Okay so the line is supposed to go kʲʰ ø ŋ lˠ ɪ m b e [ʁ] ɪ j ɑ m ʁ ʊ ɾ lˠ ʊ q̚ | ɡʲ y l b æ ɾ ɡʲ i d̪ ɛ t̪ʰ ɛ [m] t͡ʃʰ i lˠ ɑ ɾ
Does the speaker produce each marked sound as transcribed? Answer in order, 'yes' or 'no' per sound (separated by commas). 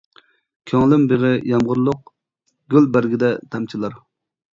yes, yes